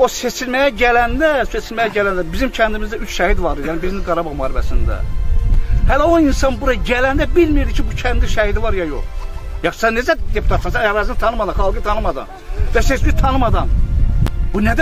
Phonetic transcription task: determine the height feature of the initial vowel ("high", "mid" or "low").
mid